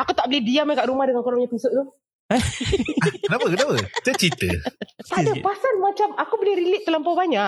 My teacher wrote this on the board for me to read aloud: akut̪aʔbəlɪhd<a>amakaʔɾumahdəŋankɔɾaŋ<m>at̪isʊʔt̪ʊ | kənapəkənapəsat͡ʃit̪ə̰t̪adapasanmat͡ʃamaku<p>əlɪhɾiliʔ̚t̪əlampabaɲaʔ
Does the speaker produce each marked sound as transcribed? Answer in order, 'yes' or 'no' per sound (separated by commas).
no, no, no